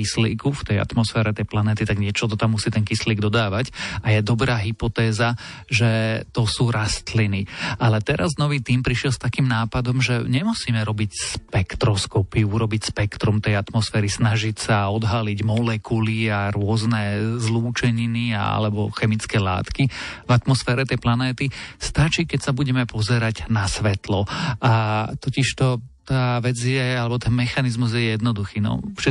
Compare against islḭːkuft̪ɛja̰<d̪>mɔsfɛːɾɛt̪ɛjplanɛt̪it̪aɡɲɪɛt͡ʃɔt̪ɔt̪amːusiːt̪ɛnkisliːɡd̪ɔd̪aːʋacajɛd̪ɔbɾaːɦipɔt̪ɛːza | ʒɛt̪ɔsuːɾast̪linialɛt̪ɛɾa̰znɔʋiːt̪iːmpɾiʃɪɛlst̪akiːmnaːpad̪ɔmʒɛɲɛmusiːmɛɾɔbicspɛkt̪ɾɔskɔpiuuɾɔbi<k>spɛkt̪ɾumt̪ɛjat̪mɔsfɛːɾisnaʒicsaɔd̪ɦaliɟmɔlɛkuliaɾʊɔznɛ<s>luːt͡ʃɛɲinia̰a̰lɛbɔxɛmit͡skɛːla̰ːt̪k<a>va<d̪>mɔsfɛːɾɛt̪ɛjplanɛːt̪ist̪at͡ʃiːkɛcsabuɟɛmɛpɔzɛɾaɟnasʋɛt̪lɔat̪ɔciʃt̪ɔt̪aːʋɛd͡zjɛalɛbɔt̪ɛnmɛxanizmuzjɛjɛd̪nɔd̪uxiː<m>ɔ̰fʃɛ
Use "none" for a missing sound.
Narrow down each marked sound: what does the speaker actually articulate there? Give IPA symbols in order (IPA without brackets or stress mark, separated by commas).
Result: t̪, c, z, i, t̪, n